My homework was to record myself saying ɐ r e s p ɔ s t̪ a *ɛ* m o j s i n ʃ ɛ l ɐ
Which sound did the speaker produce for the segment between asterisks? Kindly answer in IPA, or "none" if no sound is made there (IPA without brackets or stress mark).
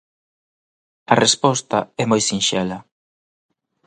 ɛ